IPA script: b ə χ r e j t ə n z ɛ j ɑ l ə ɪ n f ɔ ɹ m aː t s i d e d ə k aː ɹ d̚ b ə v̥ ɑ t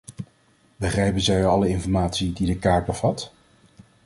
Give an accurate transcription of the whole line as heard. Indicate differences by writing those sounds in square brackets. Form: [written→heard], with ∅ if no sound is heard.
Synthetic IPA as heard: b ə χ r [e→ɛ] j [t→p] ə n z ɛ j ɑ l ə ɪ n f ɔ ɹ m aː t s i d [e→i] d ə k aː ɹ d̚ b ə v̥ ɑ t